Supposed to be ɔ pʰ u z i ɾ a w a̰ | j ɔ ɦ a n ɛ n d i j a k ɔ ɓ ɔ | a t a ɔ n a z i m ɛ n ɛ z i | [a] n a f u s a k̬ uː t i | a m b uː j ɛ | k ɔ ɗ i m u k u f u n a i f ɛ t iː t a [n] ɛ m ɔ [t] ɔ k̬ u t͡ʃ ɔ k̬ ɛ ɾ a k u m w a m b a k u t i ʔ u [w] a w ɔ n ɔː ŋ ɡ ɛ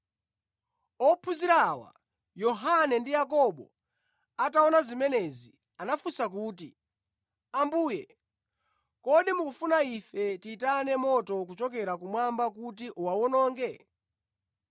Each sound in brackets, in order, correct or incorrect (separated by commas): correct, correct, correct, correct